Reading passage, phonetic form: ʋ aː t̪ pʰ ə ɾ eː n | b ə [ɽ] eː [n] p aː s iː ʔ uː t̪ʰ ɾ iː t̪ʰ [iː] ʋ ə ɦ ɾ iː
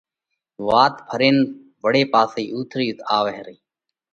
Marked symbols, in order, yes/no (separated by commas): yes, no, no